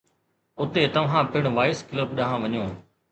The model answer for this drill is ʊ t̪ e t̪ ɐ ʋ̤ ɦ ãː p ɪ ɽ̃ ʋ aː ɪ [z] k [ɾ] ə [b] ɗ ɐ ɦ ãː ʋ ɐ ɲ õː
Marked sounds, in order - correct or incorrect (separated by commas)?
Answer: incorrect, incorrect, correct